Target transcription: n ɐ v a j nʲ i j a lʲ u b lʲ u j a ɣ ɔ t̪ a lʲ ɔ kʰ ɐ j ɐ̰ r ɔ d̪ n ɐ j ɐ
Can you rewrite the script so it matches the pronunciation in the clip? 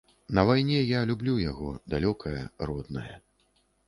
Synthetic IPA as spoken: n ɐ v a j nʲ ɛ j a lʲ u b lʲ u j a ɣ ɔ d̪ a lʲ ɔ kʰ ɐ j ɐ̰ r ɔ d̪ n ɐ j ɐ